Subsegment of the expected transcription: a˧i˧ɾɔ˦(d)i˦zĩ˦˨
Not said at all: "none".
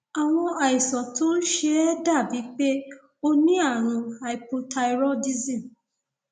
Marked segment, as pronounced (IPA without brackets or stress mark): d